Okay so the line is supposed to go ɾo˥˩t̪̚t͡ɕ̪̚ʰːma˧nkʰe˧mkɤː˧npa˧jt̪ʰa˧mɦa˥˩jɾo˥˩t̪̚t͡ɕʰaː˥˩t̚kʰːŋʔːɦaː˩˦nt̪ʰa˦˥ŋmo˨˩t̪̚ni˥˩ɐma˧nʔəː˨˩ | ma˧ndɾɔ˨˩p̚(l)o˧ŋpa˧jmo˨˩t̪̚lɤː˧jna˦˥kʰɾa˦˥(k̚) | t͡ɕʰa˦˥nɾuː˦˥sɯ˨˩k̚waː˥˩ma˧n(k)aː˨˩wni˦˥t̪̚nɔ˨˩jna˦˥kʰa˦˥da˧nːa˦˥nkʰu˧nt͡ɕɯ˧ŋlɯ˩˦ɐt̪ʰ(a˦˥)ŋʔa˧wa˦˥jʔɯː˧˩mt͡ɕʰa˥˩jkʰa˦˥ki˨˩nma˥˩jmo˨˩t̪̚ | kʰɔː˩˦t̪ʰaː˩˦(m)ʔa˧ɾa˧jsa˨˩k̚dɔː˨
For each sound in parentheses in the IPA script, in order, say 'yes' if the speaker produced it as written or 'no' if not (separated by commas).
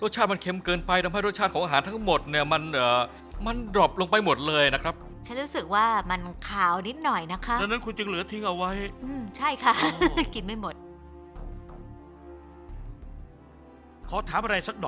yes, no, no, no, yes